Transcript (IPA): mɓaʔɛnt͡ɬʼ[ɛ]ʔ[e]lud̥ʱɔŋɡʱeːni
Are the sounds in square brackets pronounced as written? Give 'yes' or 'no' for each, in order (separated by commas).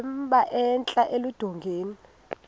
no, yes